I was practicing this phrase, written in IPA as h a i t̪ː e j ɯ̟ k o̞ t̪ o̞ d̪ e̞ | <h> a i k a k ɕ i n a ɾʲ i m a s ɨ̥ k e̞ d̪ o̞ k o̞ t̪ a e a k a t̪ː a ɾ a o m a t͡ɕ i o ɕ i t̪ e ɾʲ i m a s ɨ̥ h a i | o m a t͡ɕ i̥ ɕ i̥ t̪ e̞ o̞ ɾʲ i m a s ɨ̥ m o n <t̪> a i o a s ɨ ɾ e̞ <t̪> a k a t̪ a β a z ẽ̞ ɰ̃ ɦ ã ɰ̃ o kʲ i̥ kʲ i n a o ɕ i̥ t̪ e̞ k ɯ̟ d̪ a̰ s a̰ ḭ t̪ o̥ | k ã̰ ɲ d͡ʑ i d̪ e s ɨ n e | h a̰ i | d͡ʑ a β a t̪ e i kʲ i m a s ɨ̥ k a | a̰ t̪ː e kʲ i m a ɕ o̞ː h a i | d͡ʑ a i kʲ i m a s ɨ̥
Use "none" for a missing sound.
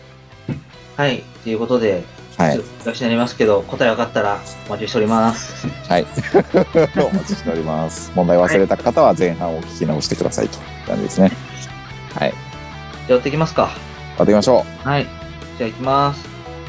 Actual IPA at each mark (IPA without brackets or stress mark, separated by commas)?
h, d̪, t̪